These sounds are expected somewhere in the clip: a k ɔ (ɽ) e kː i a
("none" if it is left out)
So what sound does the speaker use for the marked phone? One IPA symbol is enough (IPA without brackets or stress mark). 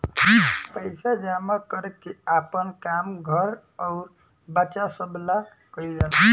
ɾ